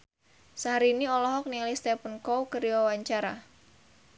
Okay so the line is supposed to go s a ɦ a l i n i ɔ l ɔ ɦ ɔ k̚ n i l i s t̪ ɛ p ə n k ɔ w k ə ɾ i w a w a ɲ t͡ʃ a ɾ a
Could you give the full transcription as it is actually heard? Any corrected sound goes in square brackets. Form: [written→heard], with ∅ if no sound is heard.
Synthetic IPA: s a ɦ a [l→ɾ] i n i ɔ l ɔ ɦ ɔ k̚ n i l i s t̪ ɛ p ə n k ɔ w k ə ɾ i w a w a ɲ t͡ʃ a ɾ a